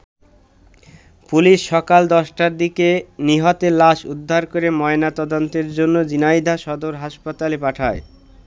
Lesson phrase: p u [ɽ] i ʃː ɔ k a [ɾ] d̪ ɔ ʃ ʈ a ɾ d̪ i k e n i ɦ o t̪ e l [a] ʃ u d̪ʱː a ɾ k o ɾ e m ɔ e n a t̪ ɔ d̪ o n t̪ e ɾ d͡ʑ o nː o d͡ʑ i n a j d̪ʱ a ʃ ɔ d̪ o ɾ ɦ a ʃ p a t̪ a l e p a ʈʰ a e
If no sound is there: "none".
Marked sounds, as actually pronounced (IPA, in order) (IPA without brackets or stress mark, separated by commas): l, l, a